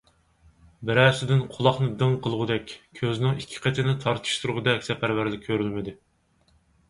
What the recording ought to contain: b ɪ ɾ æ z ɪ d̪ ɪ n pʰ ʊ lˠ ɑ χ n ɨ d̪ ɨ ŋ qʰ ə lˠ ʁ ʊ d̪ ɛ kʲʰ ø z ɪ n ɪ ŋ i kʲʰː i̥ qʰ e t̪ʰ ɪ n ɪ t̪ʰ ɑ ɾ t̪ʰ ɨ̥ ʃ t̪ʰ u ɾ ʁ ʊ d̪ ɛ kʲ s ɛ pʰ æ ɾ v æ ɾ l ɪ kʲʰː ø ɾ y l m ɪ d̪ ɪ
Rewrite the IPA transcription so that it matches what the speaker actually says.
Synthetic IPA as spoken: b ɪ ɾ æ s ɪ d̪ ɪ n qʰ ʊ lˠ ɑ χ n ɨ d̪ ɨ ŋ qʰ ə lˠ ʁ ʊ d̪ ɛ kʲʰ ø z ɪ n ɪ ŋ i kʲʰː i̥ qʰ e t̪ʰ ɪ n ɪ t̪ʰ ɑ ɾ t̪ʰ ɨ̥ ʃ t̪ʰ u ɾ ʁ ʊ d̪ ɛ kʲ s ɛ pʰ æ ɾ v æ ɾ l ɪ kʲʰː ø ɾ y l m ɪ d̪ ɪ